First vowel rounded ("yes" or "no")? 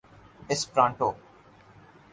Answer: no